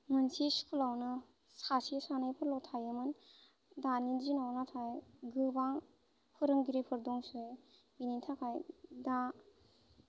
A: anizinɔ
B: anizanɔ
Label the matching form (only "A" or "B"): A